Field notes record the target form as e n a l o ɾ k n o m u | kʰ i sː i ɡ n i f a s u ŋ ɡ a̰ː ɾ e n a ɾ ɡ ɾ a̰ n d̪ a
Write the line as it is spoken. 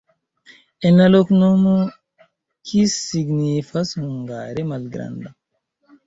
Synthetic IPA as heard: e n a l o k n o m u | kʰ i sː i ɡ n i f a s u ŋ ɡ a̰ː ɾ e m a l ɡ ɾ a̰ n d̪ a